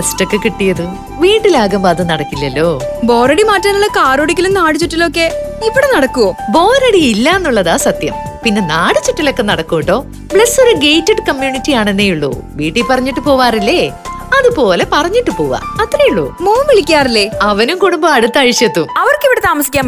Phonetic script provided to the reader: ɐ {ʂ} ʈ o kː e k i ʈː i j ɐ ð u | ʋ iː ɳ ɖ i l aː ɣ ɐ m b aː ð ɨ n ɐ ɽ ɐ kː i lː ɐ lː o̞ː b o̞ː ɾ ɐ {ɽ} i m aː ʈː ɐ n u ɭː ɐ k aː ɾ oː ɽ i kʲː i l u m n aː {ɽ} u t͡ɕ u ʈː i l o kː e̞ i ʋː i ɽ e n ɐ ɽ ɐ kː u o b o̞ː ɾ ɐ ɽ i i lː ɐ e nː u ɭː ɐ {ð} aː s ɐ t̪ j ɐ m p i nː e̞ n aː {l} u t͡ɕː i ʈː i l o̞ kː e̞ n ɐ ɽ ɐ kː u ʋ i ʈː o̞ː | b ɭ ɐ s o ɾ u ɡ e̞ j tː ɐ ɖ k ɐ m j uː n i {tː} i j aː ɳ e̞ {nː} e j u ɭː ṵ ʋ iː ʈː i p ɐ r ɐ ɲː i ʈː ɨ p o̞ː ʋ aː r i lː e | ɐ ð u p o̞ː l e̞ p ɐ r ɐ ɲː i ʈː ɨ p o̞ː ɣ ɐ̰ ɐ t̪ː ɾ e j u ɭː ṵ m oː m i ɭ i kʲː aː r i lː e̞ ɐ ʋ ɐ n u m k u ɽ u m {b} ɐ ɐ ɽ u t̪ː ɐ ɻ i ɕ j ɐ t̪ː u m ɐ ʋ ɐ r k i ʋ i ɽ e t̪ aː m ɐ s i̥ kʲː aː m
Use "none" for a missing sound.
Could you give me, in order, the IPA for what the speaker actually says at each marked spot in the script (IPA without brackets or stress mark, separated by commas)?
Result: s, ɽ, ɽ, ð, ɽ, tː, nː, b